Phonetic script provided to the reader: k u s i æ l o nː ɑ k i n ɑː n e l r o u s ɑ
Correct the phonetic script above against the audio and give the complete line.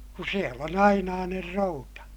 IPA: k u s i e l o n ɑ i n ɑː n e r r o u t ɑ